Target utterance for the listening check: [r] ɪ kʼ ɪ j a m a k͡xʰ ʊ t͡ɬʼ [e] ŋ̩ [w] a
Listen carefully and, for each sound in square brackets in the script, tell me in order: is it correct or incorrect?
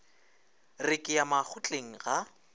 correct, correct, incorrect: ɣ

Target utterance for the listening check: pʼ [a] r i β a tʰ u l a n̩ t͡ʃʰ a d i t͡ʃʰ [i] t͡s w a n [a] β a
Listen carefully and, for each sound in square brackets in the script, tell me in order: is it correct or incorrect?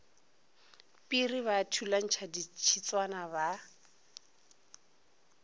incorrect: i, correct, correct

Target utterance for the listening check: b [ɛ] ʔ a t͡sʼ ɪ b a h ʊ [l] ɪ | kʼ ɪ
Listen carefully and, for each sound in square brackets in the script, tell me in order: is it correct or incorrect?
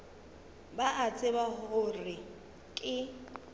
incorrect: a, incorrect: r

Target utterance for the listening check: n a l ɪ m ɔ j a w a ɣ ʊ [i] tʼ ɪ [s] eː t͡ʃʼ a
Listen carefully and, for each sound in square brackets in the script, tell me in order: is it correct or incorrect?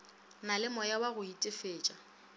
correct, incorrect: f

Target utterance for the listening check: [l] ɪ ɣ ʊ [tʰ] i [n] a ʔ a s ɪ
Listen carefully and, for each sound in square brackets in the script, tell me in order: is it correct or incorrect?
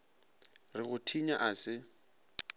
incorrect: r, correct, incorrect: ɲ

